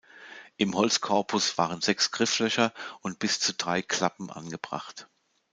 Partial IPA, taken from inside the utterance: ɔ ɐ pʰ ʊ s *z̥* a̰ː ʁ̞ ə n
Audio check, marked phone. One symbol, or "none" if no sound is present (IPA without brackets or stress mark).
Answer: v̥